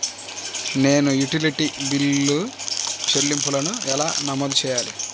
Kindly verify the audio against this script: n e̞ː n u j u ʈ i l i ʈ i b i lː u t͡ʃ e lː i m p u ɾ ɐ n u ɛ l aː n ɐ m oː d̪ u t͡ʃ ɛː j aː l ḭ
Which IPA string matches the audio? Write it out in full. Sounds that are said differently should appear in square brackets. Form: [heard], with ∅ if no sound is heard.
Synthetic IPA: n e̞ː n u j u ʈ i l i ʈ i b i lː u t͡ʃ e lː i m p u [l] ɐ n u ɛ l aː n ɐ m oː d̪ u t͡ʃ ɛː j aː l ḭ

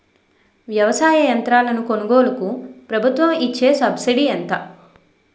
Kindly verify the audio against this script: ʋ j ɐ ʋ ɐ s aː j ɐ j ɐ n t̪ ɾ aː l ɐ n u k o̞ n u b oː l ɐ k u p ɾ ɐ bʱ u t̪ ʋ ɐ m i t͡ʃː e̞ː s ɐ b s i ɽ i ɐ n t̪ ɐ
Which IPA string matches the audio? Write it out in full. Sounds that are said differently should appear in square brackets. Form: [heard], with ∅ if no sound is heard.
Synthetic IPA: ʋ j ɐ ʋ ɐ s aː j ɐ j ɐ n t̪ ɾ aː l ɐ n u k o̞ n u [ɡ] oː l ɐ k u p ɾ ɐ bʱ u t̪ ʋ ɐ m i t͡ʃː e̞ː s ɐ b s i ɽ i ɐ n t̪ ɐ

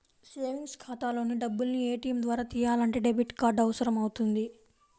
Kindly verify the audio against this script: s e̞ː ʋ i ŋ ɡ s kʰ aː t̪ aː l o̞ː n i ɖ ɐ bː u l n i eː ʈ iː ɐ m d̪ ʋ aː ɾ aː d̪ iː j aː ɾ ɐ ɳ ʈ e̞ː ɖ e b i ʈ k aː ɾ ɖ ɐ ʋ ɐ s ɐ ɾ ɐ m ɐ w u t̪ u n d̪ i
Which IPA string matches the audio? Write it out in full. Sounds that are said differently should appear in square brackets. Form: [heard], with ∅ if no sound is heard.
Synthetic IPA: s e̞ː ʋ i ŋ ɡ s kʰ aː t̪ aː l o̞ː n i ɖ ɐ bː u l n i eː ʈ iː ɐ m d̪ ʋ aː ɾ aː [t̪] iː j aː [l] ɐ ɳ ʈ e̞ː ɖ e b i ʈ k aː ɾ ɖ ɐ ʋ ɐ s ɐ ɾ ɐ m ɐ w u t̪ u n d̪ i

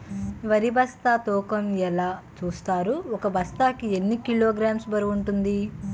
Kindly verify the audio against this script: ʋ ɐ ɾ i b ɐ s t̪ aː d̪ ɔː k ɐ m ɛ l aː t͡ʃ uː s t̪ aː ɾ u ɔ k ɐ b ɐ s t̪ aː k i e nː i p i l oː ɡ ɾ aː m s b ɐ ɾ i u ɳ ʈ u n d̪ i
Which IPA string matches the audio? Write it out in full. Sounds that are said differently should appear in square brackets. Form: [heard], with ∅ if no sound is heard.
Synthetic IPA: ʋ ɐ ɾ i b ɐ s t̪ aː [t̪] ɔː k ɐ m ɛ l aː t͡ʃ uː s t̪ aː ɾ u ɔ k ɐ b ɐ s t̪ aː k i e nː i [k] i l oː ɡ ɾ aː m s b ɐ ɾ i u ɳ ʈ u n d̪ i

